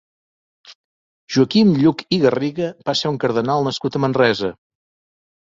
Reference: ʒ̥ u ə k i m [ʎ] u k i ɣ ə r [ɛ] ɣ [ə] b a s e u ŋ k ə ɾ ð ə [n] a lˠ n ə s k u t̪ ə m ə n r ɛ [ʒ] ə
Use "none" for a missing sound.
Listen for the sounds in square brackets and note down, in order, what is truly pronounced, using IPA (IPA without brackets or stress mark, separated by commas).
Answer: ʎ, i, ə, n, z